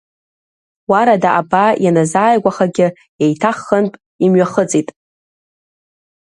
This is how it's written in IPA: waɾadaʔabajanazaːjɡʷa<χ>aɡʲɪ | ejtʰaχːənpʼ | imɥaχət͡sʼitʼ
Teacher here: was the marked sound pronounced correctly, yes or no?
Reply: yes